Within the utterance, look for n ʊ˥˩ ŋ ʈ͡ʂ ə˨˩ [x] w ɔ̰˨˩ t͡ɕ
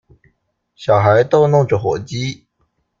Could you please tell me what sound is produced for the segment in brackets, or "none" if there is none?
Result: x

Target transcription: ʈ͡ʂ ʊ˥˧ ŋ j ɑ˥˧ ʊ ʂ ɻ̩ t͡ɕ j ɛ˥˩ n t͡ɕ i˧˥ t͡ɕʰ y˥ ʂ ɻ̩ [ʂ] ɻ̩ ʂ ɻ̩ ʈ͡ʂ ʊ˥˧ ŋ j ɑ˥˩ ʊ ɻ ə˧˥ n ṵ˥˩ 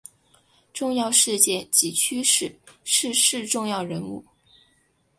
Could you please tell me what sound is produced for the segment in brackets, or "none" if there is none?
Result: ʂ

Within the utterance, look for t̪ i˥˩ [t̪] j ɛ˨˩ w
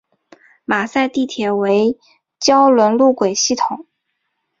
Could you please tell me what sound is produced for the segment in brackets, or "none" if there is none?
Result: t̪ʰ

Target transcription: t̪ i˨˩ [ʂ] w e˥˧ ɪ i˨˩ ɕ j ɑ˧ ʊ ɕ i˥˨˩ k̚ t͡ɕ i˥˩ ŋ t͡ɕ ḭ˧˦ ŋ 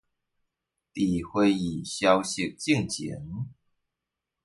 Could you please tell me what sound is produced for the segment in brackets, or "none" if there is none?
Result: x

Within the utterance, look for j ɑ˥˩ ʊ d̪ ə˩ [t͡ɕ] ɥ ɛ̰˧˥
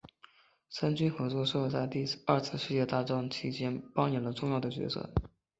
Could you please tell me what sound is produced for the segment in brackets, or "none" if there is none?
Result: t͡ɕ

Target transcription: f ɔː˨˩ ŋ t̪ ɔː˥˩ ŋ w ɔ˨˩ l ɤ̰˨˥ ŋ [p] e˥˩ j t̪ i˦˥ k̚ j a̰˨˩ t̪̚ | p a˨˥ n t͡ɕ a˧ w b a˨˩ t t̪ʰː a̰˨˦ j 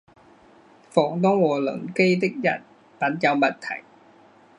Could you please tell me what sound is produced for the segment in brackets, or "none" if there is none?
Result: k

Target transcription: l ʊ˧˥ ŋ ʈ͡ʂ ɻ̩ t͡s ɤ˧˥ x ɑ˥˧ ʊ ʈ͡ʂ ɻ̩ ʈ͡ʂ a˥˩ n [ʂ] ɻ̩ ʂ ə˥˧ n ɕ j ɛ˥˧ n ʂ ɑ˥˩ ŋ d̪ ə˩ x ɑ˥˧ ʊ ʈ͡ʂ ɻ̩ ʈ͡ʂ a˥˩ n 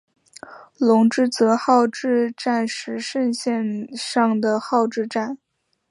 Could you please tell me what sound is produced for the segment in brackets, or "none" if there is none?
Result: ʂ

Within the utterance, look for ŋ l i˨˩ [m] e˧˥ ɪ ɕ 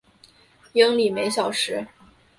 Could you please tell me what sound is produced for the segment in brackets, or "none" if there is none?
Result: m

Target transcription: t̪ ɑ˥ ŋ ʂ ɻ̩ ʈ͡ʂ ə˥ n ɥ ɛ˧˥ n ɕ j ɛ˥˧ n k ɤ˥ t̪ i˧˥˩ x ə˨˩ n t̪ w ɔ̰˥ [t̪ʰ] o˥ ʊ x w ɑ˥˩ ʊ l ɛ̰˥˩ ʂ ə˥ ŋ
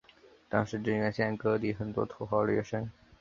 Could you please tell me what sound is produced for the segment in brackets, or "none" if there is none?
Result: t̪ʰ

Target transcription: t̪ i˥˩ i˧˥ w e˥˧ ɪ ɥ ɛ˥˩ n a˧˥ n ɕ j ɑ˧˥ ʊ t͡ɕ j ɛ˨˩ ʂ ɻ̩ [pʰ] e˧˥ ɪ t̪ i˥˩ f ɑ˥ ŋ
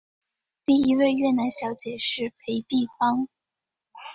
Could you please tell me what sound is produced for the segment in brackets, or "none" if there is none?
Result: pʰ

